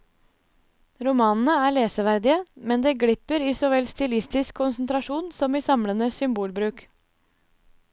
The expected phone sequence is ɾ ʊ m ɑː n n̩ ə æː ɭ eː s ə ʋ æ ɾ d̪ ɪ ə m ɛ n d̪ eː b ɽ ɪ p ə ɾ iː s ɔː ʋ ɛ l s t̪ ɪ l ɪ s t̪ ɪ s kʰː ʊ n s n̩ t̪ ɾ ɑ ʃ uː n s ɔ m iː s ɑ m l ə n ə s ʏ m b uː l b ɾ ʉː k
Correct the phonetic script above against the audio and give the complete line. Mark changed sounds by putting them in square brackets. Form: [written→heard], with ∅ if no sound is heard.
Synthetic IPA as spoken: ɾ ʊ m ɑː n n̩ ə æː ɭ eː s ə ʋ æ ɾ d̪ ɪ ə m ɛ n d̪ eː [b→ɡ] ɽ ɪ p ə ɾ iː s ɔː ʋ ɛ l s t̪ ɪ l ɪ s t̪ ɪ s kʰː ʊ n s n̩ t̪ ɾ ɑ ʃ uː n s ɔ m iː s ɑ m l ə n ə s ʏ m b uː l b ɾ ʉː k

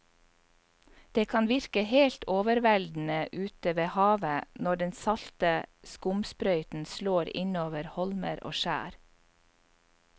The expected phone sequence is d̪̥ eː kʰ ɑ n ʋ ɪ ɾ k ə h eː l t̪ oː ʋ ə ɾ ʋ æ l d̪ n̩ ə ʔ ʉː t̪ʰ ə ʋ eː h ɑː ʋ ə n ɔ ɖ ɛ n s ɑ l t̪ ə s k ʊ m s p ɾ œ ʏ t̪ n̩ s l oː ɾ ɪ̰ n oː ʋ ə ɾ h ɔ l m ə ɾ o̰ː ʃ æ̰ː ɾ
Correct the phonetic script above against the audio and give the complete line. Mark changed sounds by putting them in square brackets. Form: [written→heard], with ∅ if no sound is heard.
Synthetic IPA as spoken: d̪̥ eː kʰ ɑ n ʋ ɪ ɾ k ə h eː l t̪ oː ʋ ə ɾ ʋ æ l d̪ n̩ ə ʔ ʉː [t̪ʰ→t̪] ə ʋ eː h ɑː ʋ ə n ɔ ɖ ɛ n s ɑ l t̪ ə s k ʊ m s p ɾ œ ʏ t̪ n̩ s l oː ɾ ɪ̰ n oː ʋ ə ɾ h ɔ l m ə ɾ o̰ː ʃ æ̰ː ɾ

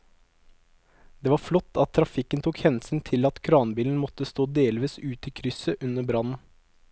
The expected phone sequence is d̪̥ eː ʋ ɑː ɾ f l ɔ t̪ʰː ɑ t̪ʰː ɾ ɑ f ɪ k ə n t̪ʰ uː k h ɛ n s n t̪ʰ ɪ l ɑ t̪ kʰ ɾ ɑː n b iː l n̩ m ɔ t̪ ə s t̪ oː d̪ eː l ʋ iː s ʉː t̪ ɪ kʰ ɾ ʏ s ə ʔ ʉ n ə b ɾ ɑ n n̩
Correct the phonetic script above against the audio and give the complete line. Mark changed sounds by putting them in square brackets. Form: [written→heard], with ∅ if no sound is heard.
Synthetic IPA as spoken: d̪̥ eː ʋ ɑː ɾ f l ɔ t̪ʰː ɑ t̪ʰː ɾ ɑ f ɪ k ə n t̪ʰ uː k h ɛ n s n t̪ʰ ɪ l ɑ t̪ kʰ ɾ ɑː n b iː l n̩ m ɔ t̪ ə s t̪ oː d̪ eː l ʋ iː s ʉː t̪ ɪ kʰ ɾ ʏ s ə ʔ ʉ n ə b ɾ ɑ n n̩

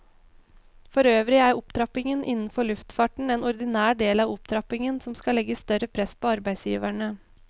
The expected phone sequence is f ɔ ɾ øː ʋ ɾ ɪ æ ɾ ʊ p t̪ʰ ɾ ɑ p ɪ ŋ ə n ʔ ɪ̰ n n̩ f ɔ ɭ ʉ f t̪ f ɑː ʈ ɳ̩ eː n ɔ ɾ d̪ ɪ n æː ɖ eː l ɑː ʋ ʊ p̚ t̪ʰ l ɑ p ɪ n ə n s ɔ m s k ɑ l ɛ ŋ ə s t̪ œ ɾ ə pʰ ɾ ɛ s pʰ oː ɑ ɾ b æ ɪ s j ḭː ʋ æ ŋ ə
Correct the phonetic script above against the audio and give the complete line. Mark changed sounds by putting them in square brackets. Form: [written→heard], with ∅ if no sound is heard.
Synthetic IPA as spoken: f ɔ ɾ øː ʋ ɾ ɪ æ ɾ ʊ p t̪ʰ ɾ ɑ p ɪ ŋ ə n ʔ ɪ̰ n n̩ f ɔ ɭ ʉ f t̪ f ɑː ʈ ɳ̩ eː n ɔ ɾ d̪ ɪ n æː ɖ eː l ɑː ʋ ʊ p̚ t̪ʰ [l→ɾ] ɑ p ɪ [n→ŋ] ə n s ɔ m s k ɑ l ɛ [ŋ→ɡ] ə s t̪ œ ɾ ə pʰ ɾ ɛ s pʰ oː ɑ ɾ b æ ɪ s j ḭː ʋ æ [ŋ→ɳ] ə

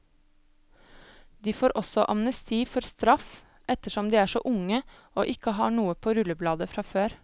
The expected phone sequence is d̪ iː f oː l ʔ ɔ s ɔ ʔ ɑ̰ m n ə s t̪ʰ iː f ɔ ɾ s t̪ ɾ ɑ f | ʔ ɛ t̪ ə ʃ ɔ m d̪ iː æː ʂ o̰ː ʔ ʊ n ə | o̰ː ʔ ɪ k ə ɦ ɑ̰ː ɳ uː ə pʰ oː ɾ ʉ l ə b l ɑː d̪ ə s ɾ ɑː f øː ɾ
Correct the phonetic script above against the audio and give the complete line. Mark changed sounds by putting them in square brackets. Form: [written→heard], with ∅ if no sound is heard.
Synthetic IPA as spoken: d̪ iː f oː [l→ɾ] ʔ ɔ s ɔ ʔ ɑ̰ m n ə s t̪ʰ iː f ɔ ɾ s t̪ ɾ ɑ f | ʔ ɛ t̪ ə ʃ ɔ m d̪ iː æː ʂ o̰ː ʔ ʊ [n→ŋ] ə | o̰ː ʔ ɪ k ə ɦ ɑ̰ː ɳ uː ə pʰ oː ɾ ʉ l ə b l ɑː d̪ ə [s→f] ɾ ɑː f øː ɾ

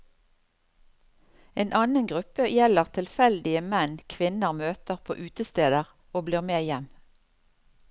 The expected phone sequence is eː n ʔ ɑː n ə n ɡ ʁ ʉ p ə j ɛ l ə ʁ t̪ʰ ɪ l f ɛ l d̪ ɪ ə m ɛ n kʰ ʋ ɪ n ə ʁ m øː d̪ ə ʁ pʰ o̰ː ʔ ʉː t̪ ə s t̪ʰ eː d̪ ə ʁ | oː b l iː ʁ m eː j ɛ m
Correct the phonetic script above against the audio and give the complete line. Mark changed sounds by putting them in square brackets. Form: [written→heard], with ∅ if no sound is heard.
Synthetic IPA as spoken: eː n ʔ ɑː n ə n ɡ ʁ ʉ p ə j ɛ l ə ʁ t̪ʰ ɪ l f ɛ l d̪ ɪ ə m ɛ n kʰ ʋ ɪ n ə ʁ m øː [d̪→t̪] ə ʁ pʰ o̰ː ʔ ʉː t̪ ə s [t̪ʰ→t̪] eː d̪ ə ʁ | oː b l iː ʁ m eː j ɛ m

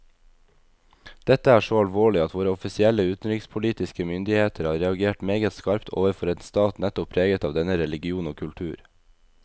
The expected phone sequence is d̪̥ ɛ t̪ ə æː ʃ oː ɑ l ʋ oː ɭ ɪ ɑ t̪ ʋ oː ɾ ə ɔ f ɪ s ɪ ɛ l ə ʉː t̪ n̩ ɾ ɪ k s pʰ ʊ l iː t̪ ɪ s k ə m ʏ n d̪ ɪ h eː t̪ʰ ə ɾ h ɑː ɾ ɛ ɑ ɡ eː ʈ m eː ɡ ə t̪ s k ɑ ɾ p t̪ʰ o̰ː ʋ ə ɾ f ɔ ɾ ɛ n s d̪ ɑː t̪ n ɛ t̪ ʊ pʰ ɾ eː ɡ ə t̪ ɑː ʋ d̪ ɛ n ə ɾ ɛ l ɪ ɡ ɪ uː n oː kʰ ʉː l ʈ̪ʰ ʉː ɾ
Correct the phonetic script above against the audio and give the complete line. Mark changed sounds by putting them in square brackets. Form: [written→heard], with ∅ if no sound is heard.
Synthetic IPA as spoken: d̪̥ ɛ t̪ ə æː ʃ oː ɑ l ʋ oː ɭ ɪ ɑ t̪ ʋ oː ɾ ə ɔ f ɪ s ɪ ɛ l ə ʉː t̪ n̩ ɾ ɪ k s pʰ ʊ l iː t̪ ɪ s k ə m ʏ n d̪ ɪ h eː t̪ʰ ə ɾ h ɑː ɾ ɛ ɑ ɡ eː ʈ m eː ɡ ə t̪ s k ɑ ɾ p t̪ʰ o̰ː ʋ ə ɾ f ɔ ɾ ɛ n s [d̪→t̪] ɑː t̪ n ɛ t̪ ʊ pʰ ɾ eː ɡ ə t̪ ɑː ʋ d̪ ɛ n ə ɾ ɛ l ɪ ɡ ɪ uː n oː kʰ [ʉː→ʉ] l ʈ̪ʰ ʉː ɾ

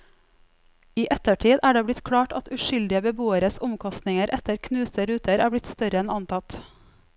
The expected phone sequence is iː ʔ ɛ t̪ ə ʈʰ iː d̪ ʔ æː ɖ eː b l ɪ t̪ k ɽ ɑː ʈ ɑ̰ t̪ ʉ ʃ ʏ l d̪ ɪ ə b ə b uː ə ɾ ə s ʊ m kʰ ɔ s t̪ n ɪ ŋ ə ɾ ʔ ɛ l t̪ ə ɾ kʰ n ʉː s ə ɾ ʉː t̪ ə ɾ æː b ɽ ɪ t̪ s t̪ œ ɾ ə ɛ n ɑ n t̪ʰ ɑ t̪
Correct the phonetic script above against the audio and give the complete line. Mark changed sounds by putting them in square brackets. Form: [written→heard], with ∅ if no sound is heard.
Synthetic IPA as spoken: iː ʔ ɛ t̪ ə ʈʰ iː d̪ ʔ æː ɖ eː b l ɪ t̪ [k→kʰ] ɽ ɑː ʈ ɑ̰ t̪ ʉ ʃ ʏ l d̪ ɪ ə b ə b uː ə ɾ ə s ʊ m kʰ ɔ s t̪ n ɪ ŋ ə ɾ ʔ ɛ [l→∅] t̪ ə ɾ kʰ n ʉː s ə ɾ ʉː t̪ ə ɾ æː b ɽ ɪ t̪ s t̪ œ ɾ ə ɛ n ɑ n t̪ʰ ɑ t̪

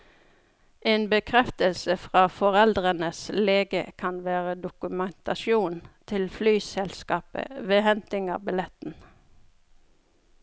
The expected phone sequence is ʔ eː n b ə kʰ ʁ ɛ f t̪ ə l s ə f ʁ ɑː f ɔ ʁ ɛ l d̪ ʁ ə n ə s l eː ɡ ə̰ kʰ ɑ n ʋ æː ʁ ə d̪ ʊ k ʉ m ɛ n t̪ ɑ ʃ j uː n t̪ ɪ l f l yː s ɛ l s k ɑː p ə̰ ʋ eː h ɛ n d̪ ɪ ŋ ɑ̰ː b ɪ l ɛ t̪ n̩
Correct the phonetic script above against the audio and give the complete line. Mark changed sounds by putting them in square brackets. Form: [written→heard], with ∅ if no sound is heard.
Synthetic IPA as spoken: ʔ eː n b ə kʰ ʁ ɛ f t̪ ə l s ə f ʁ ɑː f ɔ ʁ ɛ l d̪ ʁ ə n ə s l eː ɡ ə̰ kʰ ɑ n ʋ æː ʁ ə d̪ ʊ k ʉ m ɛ n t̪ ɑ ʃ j uː n [t̪→t̪ʰ] ɪ l f l yː s ɛ l s k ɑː p ə̰ ʋ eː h ɛ n [d̪→t̪] ɪ ŋ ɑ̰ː b ɪ l ɛ t̪ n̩

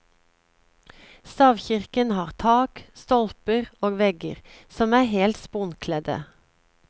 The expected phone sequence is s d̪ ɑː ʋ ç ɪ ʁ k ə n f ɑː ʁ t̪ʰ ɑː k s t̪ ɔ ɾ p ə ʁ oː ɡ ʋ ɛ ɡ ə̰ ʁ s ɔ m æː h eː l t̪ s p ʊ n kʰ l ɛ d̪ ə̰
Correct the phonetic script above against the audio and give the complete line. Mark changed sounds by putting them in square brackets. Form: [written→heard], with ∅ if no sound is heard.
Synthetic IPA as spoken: s [d̪→t̪] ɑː ʋ ç ɪ ʁ k ə n [f→h] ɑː ʁ t̪ʰ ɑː k s t̪ ɔ [ɾ→l] p ə ʁ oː ɡ ʋ ɛ ɡ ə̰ ʁ s ɔ m æː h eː l t̪ s p ʊ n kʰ l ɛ d̪ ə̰

